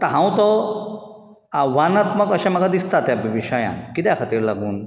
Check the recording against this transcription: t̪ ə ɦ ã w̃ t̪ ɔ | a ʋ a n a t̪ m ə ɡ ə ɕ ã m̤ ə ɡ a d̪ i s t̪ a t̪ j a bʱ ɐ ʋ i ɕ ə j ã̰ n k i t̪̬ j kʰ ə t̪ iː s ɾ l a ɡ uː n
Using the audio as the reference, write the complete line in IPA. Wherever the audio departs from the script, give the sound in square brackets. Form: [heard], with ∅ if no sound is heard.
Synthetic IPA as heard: t̪ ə ɦ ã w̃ t̪ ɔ | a ʋ a n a t̪ m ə [k] ə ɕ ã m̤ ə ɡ a d̪ i s t̪ a t̪ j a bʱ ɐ ʋ i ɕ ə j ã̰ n k i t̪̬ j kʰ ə t̪ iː [∅] ɾ l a ɡ uː n